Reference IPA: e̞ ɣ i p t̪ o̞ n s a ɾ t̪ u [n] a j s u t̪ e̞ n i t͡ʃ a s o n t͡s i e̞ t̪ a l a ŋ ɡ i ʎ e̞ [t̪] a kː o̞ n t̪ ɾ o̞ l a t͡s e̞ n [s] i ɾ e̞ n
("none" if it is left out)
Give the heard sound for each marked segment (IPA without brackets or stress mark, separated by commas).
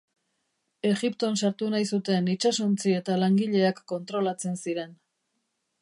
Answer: n, none, s